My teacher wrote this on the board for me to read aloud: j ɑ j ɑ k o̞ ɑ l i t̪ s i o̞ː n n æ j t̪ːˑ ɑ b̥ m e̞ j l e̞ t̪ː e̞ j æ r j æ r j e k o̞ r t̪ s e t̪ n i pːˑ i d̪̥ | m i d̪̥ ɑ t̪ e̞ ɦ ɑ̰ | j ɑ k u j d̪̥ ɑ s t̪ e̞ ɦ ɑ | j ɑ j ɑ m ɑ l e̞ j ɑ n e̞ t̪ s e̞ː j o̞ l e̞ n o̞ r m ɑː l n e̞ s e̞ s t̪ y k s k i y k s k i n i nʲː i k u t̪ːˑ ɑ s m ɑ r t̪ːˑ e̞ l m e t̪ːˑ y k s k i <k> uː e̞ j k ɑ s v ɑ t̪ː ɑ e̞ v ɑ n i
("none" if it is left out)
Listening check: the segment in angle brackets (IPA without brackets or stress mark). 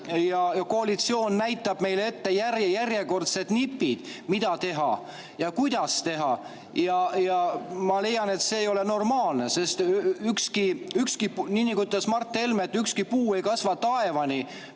p